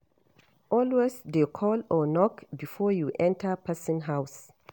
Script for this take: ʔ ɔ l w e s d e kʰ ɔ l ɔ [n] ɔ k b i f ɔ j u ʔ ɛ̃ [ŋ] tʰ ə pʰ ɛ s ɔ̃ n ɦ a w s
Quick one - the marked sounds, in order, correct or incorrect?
correct, incorrect: n

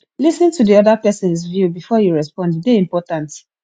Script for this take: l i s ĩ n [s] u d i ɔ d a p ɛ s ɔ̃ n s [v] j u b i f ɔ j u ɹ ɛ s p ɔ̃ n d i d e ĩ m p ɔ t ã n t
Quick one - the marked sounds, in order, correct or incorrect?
incorrect: t, correct

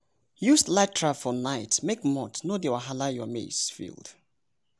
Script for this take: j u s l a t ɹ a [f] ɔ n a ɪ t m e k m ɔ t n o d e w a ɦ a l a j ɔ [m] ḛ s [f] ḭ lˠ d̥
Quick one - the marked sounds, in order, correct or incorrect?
correct, correct, correct

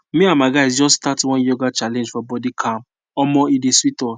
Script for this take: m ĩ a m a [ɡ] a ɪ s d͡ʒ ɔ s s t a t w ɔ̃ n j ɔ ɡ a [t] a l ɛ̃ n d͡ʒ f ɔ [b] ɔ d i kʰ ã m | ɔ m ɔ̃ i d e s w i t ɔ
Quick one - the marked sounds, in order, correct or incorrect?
correct, incorrect: t͡ʃ, correct

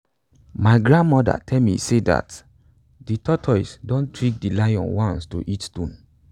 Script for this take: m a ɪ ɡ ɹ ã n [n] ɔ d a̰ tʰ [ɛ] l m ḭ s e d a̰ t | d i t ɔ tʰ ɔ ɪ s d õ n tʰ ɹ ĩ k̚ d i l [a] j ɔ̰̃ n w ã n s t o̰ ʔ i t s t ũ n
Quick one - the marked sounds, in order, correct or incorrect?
incorrect: m, correct, correct

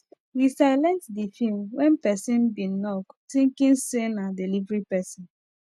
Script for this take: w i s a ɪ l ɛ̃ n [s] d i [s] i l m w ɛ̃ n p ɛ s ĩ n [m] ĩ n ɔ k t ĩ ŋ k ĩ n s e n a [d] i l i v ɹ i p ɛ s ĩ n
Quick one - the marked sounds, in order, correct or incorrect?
incorrect: t, incorrect: f, incorrect: b, correct

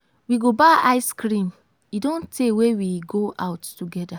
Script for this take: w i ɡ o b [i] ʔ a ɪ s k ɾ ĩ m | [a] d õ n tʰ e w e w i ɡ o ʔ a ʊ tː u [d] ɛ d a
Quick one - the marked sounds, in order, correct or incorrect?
incorrect: a, incorrect: i, incorrect: ɡ

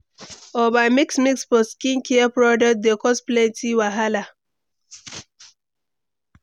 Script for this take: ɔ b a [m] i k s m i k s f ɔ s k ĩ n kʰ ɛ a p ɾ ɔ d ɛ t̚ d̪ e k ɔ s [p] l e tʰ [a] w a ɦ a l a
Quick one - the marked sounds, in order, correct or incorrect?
correct, correct, incorrect: i

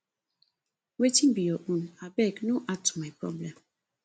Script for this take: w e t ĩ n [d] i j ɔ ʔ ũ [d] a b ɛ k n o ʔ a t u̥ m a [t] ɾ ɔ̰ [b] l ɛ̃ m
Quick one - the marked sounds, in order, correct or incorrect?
incorrect: b, incorrect: n, incorrect: p, correct

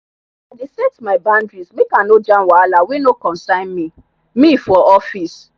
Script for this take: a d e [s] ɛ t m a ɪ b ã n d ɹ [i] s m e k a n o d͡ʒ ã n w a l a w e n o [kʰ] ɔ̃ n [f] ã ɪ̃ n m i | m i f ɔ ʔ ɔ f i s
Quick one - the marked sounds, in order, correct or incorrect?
correct, correct, incorrect: k, incorrect: s

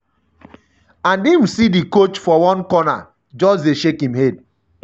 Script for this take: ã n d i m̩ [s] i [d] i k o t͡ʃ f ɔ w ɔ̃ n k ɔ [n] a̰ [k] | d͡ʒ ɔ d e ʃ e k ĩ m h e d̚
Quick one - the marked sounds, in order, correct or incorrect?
correct, correct, correct, incorrect: none

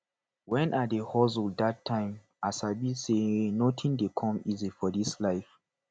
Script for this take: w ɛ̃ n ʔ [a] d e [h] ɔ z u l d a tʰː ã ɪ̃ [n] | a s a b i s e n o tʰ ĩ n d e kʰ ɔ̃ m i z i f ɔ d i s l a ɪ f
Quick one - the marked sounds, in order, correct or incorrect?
correct, correct, incorrect: m

